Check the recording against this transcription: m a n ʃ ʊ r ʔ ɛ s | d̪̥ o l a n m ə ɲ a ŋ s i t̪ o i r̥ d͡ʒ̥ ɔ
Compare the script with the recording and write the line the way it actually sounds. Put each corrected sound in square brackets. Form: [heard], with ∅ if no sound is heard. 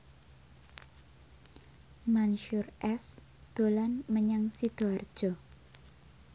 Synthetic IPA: m a n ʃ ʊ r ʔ ɛ s | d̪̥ o l a n m ə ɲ a ŋ s i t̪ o [a] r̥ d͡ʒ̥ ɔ